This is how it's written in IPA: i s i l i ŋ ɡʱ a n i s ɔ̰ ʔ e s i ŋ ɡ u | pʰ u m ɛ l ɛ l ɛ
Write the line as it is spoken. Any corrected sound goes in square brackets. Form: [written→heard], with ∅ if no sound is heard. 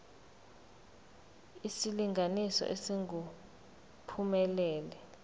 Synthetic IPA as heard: i s i l i ŋ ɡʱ a n i s ɔ̰ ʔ e s i ŋ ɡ u | pʰ u m ɛ l [ɛ→ɛː] l ɛ